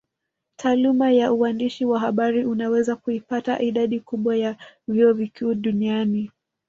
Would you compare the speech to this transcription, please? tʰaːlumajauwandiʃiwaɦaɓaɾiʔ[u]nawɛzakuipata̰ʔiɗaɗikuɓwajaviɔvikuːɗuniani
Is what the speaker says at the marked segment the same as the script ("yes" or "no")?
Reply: yes